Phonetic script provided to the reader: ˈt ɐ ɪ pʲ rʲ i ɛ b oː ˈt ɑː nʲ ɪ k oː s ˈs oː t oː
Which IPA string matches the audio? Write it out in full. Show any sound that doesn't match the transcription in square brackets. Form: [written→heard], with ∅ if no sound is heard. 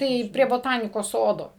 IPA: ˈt ɐ ɪ pʲ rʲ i ɛ b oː ˈt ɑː nʲ ɪ k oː s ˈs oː [t→d] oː